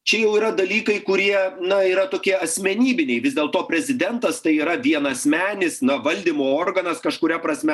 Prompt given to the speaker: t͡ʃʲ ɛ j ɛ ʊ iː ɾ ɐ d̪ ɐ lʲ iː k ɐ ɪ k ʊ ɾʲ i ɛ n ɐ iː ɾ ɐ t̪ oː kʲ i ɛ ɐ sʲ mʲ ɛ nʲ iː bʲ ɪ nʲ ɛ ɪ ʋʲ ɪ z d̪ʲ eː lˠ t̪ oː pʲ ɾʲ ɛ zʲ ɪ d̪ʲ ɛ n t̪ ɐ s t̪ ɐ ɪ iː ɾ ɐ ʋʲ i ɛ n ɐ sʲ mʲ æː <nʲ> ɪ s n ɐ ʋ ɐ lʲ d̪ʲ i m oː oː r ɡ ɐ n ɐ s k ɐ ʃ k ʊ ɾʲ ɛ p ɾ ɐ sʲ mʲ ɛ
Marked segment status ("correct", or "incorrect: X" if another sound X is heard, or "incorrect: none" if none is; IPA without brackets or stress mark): correct